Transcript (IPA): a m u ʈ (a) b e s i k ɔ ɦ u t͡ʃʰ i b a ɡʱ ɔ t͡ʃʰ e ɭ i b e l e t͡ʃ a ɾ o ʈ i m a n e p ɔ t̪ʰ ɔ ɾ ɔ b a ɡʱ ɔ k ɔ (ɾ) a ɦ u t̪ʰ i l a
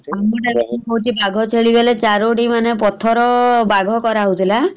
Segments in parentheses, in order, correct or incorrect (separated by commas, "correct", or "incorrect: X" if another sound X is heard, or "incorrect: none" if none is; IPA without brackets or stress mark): correct, correct